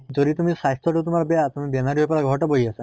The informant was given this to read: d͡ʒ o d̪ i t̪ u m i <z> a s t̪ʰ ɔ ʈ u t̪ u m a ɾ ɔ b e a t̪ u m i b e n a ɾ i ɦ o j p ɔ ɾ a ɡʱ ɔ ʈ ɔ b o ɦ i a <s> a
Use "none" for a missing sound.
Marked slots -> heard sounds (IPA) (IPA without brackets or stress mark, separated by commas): s, s